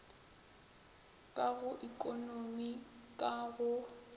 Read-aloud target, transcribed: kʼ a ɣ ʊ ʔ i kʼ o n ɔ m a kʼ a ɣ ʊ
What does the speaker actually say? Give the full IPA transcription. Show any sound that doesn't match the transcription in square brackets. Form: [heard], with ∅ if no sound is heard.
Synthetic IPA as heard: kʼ a ɣ ʊ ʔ i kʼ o n [o] m [i] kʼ a ɣ ʊ